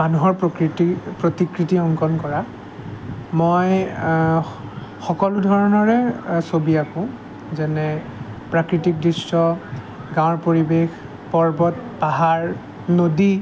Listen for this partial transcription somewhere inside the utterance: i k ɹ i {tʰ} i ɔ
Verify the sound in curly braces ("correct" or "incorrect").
incorrect